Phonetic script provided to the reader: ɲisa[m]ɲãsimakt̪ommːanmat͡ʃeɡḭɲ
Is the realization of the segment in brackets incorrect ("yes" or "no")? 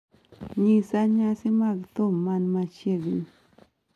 yes